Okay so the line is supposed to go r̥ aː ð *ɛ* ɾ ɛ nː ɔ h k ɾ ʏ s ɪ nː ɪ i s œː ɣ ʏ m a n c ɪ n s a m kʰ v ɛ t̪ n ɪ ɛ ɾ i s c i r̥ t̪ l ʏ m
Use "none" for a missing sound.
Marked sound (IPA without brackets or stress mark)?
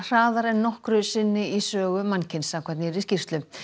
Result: a